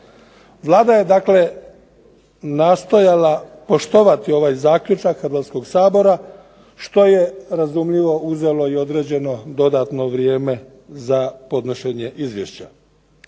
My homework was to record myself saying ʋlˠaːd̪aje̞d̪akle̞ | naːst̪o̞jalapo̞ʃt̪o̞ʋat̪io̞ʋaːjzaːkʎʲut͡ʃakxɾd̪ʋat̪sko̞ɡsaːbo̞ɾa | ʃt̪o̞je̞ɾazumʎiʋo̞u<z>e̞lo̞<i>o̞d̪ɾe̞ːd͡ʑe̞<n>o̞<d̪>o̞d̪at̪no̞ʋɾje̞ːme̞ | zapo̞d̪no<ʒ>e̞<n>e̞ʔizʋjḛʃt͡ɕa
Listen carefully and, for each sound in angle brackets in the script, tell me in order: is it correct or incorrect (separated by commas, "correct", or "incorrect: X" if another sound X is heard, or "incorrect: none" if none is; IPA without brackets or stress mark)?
correct, correct, correct, correct, incorrect: ʃ, incorrect: ɲ